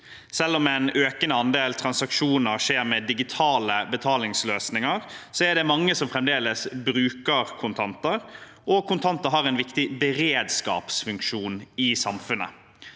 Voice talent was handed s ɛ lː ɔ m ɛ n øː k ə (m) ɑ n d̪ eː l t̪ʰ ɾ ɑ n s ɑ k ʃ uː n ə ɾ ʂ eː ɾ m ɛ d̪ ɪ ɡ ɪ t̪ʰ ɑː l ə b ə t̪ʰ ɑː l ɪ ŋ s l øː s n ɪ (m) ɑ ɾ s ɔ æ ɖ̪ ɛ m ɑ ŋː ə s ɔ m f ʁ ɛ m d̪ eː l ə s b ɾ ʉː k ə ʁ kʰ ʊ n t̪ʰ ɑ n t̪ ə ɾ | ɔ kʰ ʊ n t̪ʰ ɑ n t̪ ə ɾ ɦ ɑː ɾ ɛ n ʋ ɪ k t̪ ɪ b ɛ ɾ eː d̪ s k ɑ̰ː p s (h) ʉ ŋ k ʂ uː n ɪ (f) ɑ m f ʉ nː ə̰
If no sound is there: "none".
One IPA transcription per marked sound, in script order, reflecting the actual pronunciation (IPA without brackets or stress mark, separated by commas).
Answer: n, ŋ, f, s